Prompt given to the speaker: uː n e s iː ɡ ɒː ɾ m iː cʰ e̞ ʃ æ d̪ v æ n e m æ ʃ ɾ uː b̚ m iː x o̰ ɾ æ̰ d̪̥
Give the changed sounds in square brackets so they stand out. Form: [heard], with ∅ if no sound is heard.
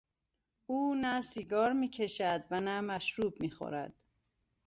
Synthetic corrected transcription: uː n [æ] s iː ɡ ɒː ɾ m iː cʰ e̞ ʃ æ d̪ v æ n [æ] m æ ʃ ɾ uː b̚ m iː x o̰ ɾ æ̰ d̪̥